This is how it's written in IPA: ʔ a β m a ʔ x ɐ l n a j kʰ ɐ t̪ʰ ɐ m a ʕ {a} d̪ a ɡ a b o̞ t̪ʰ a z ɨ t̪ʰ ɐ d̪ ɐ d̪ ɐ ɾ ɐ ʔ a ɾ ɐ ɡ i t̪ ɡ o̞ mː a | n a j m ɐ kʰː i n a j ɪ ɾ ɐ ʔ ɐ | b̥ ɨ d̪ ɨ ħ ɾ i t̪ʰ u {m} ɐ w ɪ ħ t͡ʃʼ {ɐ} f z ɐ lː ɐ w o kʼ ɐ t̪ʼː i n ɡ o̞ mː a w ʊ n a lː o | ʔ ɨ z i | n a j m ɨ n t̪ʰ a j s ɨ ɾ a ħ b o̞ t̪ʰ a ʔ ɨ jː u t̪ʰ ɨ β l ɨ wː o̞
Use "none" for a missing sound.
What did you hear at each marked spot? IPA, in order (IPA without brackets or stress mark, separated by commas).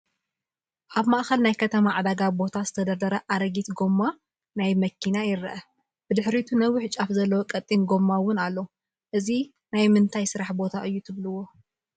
a, n, a